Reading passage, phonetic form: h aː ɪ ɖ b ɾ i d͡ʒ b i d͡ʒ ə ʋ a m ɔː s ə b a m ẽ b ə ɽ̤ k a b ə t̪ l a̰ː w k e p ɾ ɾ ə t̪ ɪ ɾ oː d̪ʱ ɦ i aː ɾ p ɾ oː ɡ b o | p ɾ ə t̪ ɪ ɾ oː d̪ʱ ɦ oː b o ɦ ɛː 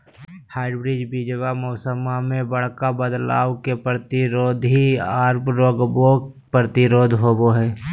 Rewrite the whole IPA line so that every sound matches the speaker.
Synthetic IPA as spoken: h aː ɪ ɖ b ɾ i d͡ʒ b i d͡ʒ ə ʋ a m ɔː s ə m a m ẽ b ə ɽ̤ k a b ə d̪ l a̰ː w k e p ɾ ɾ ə t̪ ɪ ɾ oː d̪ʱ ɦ i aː ɾ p ɾ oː ɡ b o | p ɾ ə t̪ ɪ ɾ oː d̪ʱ ɦ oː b o ɦ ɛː